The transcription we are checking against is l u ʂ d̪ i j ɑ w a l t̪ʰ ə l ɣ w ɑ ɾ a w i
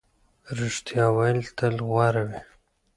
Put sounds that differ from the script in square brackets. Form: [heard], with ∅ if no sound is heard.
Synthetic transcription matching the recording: [ɾ] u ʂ [t̪] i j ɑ w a l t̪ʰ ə l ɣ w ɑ ɾ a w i